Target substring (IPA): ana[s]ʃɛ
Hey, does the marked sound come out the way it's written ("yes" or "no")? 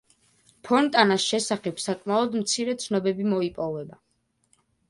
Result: yes